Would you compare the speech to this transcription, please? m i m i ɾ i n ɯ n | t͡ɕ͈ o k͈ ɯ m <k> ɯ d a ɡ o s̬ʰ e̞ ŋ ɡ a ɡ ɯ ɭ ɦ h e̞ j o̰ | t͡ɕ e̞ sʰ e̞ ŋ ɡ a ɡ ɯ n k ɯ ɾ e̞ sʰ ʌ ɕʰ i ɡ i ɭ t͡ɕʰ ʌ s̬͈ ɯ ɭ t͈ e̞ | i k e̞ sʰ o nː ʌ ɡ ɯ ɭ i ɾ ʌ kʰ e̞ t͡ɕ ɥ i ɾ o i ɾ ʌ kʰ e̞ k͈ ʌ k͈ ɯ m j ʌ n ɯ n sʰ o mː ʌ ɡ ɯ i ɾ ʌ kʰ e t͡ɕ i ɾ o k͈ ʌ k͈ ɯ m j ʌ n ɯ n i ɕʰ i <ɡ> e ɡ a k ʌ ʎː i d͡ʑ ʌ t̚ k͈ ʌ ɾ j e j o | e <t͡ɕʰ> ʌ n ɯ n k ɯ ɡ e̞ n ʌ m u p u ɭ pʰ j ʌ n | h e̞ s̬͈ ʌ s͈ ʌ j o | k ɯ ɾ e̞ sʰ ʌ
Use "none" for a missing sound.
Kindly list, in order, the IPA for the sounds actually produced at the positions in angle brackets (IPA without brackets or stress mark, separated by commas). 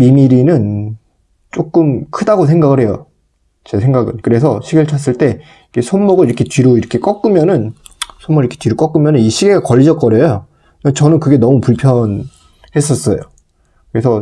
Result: kʰ, ɡ, t͡ɕ